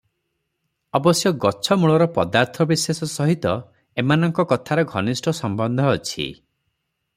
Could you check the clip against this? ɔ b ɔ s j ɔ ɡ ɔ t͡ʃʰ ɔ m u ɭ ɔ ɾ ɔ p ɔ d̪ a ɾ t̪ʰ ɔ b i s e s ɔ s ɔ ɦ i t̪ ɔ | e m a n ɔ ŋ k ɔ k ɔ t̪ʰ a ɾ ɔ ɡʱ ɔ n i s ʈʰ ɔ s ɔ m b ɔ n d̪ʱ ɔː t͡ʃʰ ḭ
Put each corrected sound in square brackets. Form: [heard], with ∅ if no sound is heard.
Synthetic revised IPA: ɔ b ɔ s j ɔ ɡ ɔ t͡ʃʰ ɔ m u ɭ ɔ ɾ ɔ p ɔ d̪ a ɾ t̪ʰ ɔ b i s e s ɔ s ɔ ɦ i t̪ ɔ | e m a n ɔ ŋ k ɔ k ɔ t̪ʰ a ɾ ɔ ɡʱ ɔ n i s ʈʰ ɔ s ɔ m b ɔ n d̪ʱ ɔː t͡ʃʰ ḭ